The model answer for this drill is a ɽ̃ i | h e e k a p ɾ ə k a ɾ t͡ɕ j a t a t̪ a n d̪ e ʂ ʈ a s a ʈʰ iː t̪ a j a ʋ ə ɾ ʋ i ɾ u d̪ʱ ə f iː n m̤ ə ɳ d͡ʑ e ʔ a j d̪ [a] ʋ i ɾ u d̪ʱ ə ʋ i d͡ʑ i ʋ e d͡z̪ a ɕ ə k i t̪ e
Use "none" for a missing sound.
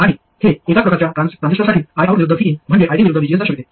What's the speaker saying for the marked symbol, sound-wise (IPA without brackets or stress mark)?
i